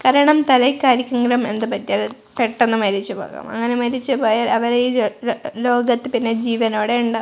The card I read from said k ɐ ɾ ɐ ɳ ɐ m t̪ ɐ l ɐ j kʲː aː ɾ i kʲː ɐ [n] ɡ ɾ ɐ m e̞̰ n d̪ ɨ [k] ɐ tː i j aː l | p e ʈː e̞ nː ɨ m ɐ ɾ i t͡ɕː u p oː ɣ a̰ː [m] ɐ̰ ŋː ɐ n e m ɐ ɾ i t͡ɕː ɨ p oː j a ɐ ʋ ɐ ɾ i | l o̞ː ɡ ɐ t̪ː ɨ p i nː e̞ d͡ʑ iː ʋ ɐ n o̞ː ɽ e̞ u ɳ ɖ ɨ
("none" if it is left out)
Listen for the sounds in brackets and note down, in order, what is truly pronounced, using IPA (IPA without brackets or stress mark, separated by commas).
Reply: ŋ, p, m